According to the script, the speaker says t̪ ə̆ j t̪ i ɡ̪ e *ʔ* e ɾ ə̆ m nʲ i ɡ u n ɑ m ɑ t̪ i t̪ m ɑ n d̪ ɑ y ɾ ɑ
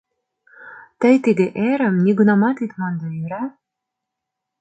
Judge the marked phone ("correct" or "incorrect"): correct